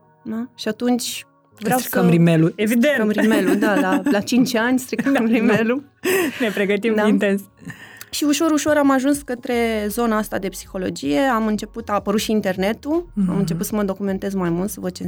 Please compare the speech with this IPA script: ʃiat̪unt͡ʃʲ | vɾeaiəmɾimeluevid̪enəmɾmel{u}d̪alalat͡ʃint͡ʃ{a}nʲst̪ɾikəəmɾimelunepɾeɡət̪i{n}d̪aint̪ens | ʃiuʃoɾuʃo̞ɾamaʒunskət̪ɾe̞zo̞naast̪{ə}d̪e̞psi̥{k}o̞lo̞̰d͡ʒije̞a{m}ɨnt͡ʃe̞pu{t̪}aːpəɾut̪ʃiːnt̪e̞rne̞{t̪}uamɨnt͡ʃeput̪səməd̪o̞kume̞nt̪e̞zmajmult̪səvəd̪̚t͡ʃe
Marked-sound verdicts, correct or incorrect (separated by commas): correct, correct, incorrect, incorrect, incorrect, correct, correct, correct